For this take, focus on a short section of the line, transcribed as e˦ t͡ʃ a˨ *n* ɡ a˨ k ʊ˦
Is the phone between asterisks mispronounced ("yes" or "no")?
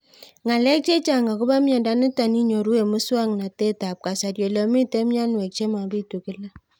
yes